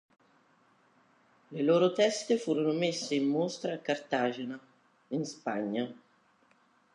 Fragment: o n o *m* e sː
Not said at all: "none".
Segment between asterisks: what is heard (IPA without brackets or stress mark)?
m